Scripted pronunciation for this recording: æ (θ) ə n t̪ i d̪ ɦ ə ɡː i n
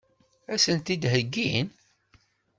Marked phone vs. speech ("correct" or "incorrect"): incorrect